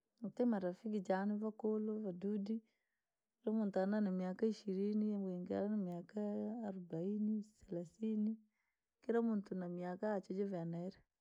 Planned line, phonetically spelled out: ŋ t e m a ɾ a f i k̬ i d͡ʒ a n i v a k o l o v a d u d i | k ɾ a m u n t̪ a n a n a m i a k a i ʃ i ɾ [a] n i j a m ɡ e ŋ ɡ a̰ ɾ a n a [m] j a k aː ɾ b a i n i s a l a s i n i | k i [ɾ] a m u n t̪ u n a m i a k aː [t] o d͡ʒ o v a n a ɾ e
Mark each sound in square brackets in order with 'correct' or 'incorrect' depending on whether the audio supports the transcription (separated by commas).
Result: incorrect, correct, correct, incorrect